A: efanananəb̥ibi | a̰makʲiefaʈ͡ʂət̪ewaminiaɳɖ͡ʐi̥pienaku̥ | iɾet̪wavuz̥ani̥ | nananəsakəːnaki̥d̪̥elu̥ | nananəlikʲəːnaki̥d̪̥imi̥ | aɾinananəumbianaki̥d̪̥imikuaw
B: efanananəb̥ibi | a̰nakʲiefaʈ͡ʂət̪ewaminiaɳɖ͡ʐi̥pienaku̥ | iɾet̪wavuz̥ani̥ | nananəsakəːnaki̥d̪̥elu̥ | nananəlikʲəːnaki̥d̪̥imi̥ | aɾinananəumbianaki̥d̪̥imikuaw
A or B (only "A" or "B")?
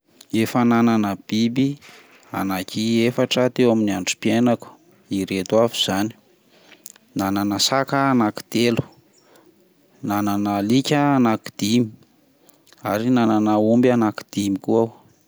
B